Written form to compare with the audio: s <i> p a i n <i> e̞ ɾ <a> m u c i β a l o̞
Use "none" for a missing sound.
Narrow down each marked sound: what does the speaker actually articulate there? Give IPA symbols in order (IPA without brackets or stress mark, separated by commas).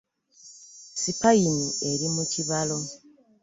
i, i, i